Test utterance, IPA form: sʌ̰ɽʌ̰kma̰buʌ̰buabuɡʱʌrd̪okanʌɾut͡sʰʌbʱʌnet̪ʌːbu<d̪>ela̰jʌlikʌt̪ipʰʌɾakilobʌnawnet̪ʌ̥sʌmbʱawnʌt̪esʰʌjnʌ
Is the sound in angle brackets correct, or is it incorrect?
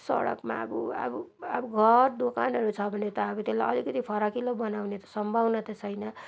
incorrect